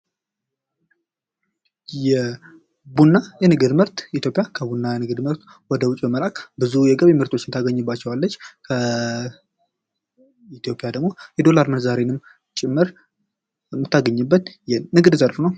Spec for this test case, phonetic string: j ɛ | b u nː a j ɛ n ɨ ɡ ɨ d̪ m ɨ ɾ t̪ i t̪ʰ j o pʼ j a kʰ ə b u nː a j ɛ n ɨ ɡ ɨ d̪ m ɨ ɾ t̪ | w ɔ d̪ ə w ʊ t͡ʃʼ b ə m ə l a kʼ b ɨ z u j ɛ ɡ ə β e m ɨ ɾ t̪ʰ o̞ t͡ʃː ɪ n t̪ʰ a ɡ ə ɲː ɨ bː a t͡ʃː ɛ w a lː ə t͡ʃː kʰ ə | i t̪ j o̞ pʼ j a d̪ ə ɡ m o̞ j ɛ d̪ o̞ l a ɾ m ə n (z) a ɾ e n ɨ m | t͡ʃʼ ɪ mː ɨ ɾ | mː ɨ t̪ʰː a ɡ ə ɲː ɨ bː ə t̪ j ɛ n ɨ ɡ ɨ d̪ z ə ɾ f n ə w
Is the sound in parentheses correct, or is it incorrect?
correct